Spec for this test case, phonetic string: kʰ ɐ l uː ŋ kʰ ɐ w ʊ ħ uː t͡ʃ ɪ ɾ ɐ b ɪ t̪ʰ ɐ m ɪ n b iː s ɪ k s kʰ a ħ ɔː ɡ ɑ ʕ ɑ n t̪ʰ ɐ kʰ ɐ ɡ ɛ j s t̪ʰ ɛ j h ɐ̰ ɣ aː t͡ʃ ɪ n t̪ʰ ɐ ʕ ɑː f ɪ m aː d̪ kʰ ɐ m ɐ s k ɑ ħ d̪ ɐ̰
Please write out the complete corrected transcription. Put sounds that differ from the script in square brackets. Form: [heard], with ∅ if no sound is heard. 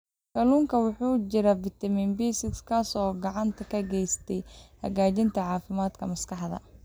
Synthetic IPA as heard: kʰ ɐ l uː ŋ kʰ ɐ w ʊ ħ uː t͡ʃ ɪ ɾ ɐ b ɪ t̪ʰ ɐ m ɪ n b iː s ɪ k s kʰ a [s] ɔː ɡ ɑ ʕ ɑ n t̪ʰ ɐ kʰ ɐ ɡ ɛ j s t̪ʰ ɛ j h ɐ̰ ɣ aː t͡ʃ ɪ n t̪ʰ ɐ ʕ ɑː f ɪ m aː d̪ kʰ ɐ m ɐ s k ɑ ħ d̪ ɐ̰